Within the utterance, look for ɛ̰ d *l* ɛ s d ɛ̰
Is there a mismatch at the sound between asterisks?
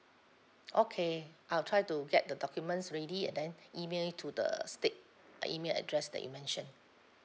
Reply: yes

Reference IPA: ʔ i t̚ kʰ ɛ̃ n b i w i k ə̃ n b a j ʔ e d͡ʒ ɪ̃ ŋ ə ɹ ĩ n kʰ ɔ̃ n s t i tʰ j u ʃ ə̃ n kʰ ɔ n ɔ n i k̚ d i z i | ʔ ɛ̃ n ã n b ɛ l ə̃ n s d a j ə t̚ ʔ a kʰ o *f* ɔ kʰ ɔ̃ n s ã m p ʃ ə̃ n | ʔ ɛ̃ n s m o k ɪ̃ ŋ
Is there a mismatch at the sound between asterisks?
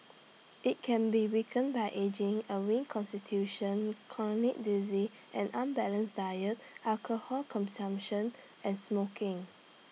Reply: yes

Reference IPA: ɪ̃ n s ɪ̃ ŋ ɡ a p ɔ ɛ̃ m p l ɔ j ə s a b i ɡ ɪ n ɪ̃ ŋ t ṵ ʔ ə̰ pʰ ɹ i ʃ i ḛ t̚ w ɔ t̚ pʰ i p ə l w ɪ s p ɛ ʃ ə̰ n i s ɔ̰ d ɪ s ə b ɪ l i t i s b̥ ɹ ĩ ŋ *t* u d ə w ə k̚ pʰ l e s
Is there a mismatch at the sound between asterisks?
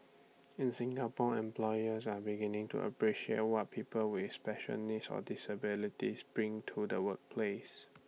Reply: yes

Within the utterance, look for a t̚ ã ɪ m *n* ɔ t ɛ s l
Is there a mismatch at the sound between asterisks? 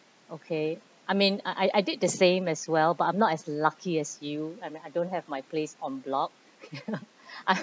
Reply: no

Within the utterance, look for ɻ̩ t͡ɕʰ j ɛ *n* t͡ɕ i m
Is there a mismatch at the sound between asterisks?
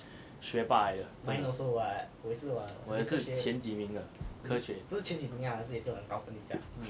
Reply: no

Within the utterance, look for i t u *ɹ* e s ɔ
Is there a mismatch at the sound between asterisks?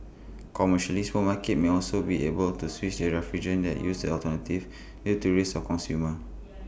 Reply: no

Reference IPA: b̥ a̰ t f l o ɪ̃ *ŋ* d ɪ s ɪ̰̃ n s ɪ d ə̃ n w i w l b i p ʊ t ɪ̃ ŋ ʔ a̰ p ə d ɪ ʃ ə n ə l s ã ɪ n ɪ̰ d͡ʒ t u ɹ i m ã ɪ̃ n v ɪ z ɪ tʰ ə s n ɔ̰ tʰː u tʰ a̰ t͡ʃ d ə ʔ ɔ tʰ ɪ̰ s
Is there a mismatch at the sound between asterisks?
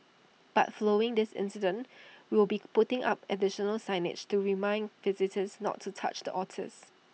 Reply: no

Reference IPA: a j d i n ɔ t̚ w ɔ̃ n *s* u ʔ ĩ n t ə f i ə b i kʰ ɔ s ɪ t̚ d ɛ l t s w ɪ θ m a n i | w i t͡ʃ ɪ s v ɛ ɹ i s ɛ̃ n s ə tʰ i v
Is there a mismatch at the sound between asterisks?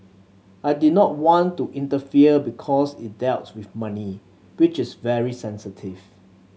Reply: yes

